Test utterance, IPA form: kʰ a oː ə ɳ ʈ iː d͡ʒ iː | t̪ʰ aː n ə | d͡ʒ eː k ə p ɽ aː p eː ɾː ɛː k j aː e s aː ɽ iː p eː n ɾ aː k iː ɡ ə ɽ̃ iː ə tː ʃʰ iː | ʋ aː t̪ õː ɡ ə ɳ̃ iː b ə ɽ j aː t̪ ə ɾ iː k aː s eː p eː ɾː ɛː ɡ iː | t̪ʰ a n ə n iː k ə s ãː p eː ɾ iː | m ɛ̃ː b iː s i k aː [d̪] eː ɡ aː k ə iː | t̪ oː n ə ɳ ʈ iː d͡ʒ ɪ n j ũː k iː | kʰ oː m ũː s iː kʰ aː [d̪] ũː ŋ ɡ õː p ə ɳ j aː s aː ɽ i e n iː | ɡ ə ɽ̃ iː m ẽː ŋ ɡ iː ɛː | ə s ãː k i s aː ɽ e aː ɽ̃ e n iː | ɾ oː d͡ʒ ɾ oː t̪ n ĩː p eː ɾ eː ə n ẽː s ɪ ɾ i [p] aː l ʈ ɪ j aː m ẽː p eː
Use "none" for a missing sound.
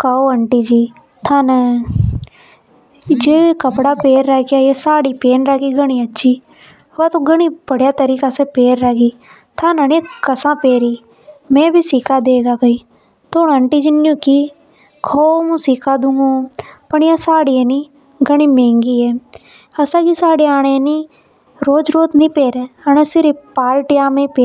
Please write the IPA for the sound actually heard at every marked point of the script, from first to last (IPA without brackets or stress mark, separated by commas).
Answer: d̪, d̪, p